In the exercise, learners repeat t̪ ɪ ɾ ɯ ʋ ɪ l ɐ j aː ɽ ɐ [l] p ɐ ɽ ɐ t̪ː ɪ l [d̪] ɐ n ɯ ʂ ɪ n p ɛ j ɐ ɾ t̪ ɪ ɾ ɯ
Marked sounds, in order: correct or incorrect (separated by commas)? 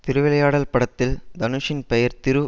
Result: correct, correct